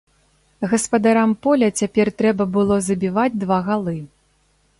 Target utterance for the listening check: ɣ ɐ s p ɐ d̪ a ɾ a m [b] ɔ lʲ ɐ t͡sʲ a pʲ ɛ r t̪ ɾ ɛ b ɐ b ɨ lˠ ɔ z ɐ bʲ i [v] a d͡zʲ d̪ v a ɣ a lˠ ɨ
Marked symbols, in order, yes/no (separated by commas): no, yes